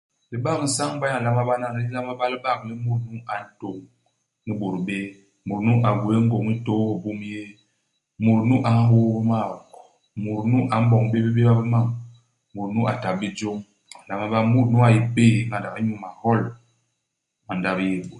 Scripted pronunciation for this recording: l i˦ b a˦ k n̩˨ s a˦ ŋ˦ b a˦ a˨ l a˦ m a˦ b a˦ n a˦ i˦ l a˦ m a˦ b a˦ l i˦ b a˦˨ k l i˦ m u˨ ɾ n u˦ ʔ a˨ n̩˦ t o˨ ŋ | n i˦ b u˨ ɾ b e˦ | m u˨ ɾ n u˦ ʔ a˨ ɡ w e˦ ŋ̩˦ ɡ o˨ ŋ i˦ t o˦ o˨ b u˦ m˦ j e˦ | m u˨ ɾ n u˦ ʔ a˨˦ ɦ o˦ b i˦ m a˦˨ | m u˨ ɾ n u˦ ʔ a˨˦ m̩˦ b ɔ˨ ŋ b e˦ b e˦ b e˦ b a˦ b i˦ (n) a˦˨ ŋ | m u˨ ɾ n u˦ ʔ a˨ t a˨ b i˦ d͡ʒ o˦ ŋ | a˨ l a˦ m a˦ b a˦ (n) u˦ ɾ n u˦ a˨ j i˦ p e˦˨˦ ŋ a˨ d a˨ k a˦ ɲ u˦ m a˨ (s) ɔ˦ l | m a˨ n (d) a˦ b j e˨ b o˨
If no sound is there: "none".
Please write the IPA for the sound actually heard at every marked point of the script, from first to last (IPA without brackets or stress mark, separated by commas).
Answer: m, m, h, d